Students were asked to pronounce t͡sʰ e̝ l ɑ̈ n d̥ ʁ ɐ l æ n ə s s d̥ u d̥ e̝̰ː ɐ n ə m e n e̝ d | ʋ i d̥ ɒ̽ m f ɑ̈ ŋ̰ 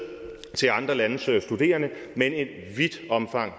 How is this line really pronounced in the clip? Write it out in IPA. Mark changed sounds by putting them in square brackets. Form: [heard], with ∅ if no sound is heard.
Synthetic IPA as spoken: t͡sʰ e̝ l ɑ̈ n d̥ ʁ ɐ l æ n ə s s d̥ u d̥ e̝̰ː ɐ n ə m e n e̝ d | ʋ i d̥ ɒ̽ m f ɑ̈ ŋ̰